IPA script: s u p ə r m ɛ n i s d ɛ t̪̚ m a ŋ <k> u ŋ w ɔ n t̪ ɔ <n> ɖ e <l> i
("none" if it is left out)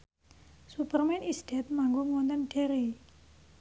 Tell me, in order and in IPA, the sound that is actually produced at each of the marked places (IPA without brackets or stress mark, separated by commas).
ɡ, n, ɾ